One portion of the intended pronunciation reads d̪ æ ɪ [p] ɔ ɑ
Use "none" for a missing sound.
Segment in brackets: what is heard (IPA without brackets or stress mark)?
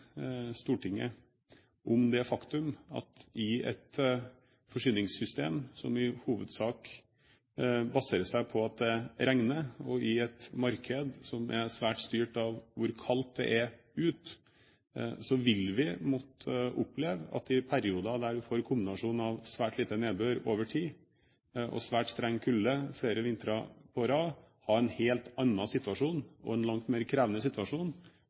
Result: pʰ